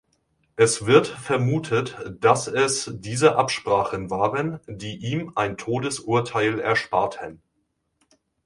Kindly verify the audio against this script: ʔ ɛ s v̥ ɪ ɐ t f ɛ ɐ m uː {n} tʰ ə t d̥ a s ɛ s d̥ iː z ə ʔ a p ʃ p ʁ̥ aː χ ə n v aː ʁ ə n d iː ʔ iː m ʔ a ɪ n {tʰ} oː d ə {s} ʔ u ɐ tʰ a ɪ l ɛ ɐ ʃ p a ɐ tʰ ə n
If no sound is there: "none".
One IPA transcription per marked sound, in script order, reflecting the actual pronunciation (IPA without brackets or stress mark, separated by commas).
none, tʰ, s